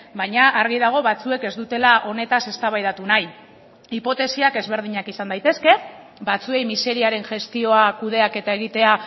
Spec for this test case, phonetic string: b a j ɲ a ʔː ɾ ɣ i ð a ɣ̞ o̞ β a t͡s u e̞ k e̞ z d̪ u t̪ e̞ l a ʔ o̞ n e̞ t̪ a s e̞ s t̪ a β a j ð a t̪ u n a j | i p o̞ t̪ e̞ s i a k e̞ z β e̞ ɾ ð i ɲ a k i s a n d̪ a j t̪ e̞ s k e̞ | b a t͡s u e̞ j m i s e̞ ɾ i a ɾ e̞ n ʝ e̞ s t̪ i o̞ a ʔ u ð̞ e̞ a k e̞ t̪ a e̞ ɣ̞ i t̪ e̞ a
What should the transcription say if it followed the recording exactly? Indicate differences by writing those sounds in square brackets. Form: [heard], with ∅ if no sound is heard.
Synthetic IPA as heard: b a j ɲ a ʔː ɾ ɣ i ð a ɣ̞ o̞ β a t͡s u e̞ k e̞ z d̪ u t̪ e̞ l a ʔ o̞ n e̞ t̪ a s e̞ s t̪ a β a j ð a t̪ u n a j | i p o̞ t̪ e̞ s i a k e̞ z β e̞ ɾ ð i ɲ a k i s a n d̪ a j t̪ e̞ s k e̞ | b a t͡s u e̞ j m i s e̞ ɾ i a ɾ e̞ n ʝ e̞ s t̪ i o̞ a [k] u ð̞ e̞ a k e̞ t̪ a e̞ ɣ̞ i t̪ e̞ a